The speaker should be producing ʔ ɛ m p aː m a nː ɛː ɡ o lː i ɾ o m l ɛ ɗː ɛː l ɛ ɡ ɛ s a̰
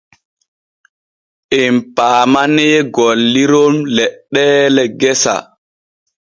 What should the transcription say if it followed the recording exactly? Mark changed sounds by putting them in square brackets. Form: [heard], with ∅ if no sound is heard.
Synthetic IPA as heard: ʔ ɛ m p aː m a [n] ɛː ɡ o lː i ɾ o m l ɛ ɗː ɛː l ɛ ɡ ɛ s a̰